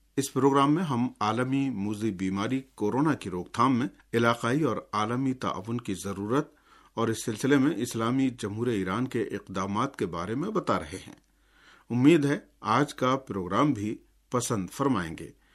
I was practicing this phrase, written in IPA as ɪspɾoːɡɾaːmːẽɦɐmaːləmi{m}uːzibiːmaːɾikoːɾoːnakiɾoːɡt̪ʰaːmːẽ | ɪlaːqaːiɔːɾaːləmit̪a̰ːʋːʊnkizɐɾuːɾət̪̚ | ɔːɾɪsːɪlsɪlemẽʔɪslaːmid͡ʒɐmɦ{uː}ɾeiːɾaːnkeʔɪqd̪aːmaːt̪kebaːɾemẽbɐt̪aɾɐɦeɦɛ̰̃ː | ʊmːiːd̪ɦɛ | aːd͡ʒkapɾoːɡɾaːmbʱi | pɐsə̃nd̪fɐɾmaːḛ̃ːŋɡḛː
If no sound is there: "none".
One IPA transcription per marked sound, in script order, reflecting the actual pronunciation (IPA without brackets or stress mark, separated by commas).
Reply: m, uː